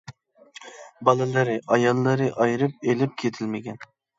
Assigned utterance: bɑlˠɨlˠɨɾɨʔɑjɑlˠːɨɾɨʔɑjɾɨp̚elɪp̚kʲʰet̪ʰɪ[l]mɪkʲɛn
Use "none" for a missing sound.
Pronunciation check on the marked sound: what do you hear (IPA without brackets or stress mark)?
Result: l